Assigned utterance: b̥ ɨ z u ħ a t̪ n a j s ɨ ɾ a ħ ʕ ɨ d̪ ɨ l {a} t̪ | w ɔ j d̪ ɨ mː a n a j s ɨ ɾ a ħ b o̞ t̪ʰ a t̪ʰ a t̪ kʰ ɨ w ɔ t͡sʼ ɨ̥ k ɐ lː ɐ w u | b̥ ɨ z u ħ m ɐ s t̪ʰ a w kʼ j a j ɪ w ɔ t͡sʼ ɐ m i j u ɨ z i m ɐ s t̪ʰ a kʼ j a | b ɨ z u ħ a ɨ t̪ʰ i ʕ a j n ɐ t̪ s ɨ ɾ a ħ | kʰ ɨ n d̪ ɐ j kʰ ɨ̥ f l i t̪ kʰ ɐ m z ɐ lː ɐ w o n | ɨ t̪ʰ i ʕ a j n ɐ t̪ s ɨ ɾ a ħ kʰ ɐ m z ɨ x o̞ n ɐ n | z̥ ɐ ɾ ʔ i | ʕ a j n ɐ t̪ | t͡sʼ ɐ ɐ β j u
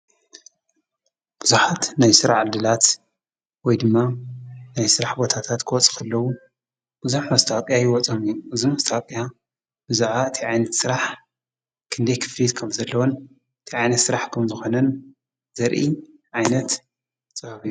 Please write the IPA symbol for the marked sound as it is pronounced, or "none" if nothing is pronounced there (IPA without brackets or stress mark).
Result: a